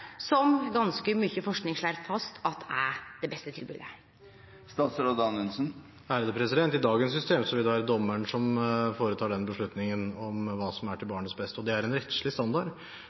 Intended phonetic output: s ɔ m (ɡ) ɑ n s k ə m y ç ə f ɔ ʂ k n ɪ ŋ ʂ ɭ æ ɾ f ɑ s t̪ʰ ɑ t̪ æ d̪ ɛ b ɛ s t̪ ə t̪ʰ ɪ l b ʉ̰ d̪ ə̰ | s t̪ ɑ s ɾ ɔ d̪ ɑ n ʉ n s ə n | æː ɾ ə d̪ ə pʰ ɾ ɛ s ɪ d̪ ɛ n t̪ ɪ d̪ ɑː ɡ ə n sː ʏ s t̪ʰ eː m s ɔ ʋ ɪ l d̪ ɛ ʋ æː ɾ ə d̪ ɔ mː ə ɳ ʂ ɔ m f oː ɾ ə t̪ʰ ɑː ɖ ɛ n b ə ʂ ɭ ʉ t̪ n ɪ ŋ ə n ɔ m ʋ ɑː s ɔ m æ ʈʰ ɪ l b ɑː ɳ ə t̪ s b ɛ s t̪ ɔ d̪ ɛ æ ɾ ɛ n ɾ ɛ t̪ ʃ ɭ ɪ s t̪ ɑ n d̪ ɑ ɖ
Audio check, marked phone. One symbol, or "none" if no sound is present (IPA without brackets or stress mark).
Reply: ɡ